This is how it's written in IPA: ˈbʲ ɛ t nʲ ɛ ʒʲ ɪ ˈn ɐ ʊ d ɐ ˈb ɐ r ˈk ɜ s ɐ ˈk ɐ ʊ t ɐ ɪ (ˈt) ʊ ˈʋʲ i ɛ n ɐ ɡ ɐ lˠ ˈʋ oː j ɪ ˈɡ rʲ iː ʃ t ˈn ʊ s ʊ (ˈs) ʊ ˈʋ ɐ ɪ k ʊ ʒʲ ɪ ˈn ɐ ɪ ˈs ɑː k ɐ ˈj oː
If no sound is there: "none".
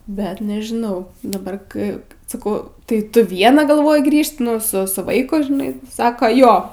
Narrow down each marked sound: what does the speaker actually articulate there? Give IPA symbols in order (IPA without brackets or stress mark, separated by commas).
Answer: t, s